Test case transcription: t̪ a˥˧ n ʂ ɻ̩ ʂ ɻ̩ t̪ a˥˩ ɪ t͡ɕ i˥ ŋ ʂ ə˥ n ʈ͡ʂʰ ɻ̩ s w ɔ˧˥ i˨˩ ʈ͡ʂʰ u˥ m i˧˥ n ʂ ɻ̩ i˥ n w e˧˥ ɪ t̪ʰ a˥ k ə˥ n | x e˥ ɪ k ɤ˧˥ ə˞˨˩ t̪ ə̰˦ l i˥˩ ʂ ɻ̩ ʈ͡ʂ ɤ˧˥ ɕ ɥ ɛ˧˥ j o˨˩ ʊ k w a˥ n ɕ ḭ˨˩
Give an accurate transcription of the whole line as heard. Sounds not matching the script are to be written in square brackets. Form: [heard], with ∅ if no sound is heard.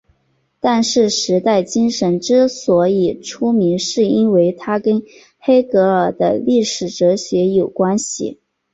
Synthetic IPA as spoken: t̪ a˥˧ n ʂ ɻ̩ ʂ ɻ̩ t̪ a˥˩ ɪ t͡ɕ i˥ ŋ ʂ [ə˧˥] n [ʈ͡ʂ] ɻ̩ s w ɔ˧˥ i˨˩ ʈ͡ʂʰ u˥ m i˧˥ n ʂ ɻ̩ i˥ n w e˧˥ ɪ t̪ʰ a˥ k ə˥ n | x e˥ ɪ k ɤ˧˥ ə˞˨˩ [d̪] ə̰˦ l i˥˩ ʂ ɻ̩ ʈ͡ʂ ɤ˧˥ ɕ ɥ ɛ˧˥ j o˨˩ ʊ k w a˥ n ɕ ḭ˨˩